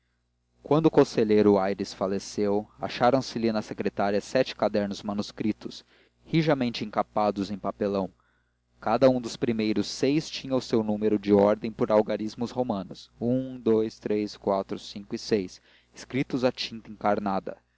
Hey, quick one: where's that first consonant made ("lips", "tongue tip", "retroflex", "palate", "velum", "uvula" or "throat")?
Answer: velum